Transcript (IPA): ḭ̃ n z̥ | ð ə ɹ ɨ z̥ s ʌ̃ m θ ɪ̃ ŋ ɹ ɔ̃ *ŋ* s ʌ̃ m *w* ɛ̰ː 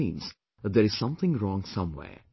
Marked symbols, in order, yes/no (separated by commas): yes, yes